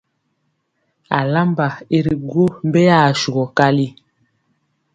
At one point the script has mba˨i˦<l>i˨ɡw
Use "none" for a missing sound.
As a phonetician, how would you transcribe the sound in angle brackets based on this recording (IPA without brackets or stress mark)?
ɾ